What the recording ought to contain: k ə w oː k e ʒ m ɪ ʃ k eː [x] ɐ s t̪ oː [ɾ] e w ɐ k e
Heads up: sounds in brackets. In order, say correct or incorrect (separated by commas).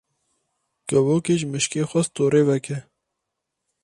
correct, correct